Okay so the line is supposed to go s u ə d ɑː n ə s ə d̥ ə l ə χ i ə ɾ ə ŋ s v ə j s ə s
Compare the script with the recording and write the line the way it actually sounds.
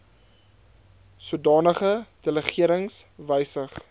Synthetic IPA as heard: s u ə d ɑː n ə χ ə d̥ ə l ə χ i ə ɾ ə ŋ s v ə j s ə χ